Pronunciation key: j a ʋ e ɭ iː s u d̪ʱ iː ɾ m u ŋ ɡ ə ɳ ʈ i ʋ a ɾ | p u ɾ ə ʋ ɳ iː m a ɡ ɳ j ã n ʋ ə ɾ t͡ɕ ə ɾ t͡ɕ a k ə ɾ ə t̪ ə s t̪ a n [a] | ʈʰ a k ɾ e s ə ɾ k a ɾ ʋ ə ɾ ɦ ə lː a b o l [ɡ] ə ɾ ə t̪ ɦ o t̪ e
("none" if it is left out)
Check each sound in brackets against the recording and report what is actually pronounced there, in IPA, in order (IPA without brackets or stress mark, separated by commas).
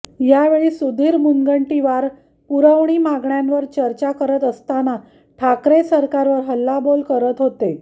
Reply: a, k